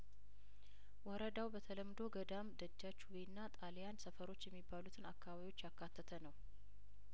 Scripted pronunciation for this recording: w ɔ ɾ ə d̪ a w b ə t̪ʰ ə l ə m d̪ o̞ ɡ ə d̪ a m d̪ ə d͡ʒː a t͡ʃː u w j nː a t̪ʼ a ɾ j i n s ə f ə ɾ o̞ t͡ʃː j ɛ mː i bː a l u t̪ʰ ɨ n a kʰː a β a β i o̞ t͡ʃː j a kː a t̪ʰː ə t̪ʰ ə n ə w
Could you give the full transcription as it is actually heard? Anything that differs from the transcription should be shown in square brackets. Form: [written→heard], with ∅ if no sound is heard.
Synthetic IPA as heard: w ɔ ɾ ə d̪ a w b ə t̪ʰ ə l ə m d̪ o̞ ɡ ə d̪ a m d̪ ə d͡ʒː a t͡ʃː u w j nː a t̪ʼ a [ɾ→l] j [i→a] n s ə f ə ɾ o̞ t͡ʃː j ɛ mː i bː a l u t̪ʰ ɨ n a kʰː a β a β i o̞ t͡ʃː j a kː a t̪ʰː ə t̪ʰ ə n ə w